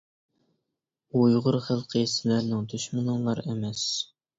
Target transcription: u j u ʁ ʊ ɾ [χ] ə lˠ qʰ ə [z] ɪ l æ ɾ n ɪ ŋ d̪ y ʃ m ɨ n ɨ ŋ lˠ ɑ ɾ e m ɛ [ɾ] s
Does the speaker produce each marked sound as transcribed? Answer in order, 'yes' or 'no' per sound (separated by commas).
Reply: yes, no, no